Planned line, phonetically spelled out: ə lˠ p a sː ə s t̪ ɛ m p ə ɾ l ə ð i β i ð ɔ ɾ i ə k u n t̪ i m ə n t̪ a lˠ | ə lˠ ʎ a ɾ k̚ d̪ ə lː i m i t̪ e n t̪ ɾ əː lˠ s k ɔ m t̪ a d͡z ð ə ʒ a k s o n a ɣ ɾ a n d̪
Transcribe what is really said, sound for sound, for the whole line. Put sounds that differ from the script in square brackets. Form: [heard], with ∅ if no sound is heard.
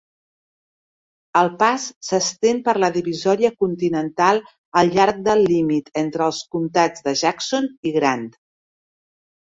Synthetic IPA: ə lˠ p a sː ə s t̪ [e] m p ə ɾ l ə ð i β i [z] ɔ ɾ i ə k u n t̪ i [n] ə n t̪ a lˠ | ə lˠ ʎ a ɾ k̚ d̪ ə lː i m i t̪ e n t̪ ɾ əː lˠ s k [u] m t̪ a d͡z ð ə ʒ a k s o n [i] ɣ ɾ a n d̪